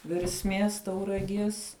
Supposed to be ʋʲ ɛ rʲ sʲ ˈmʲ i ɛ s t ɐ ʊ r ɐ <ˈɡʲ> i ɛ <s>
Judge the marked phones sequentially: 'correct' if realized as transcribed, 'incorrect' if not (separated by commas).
correct, correct